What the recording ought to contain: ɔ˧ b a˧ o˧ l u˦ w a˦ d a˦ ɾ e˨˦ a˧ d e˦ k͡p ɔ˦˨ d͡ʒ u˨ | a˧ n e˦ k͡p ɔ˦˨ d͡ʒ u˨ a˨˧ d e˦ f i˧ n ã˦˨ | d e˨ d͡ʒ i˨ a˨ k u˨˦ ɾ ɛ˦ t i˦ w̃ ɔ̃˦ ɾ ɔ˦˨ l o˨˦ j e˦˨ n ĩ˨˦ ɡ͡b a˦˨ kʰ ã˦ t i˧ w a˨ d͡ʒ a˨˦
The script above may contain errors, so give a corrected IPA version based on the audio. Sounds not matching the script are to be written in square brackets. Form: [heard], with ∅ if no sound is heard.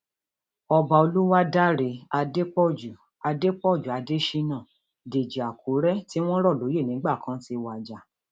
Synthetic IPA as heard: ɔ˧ b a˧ o˧ l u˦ w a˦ d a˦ ɾ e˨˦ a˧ d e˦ k͡p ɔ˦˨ d͡ʒ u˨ | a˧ [d] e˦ k͡p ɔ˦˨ d͡ʒ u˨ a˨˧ d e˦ [ʃ] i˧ n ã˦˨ | d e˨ d͡ʒ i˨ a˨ k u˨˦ ɾ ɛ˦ t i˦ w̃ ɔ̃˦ ɾ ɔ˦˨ l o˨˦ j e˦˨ n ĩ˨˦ ɡ͡b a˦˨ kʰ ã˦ t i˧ w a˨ d͡ʒ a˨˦